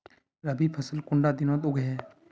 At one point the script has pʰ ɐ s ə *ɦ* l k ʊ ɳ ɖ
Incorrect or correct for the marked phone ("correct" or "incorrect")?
incorrect